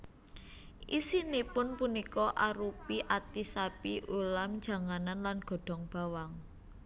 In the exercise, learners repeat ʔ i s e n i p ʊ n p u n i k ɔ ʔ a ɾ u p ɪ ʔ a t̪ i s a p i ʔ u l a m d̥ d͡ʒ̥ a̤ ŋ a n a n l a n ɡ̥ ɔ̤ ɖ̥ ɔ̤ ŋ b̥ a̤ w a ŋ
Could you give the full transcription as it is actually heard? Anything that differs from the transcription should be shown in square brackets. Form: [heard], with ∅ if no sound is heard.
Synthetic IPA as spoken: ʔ i s [i] n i p ʊ n p u n i k ɔ ʔ a ɾ u p [i] ʔ a t̪ i s a p i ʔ u l a m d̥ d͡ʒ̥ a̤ ŋ a n a n l a n ɡ̥ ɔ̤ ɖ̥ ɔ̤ ŋ b̥ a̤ w a ŋ